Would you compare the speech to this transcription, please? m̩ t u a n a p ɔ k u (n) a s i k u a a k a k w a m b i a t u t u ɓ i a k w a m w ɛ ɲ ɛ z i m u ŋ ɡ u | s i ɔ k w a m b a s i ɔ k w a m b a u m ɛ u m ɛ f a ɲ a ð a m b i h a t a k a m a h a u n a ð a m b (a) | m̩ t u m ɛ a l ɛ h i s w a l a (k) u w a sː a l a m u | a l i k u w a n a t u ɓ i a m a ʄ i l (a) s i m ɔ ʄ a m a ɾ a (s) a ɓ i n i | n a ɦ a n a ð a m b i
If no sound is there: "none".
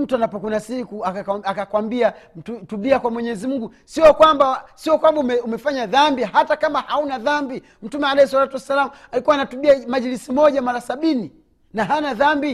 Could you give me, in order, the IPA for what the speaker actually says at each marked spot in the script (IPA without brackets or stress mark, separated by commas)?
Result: n, i, t, i, s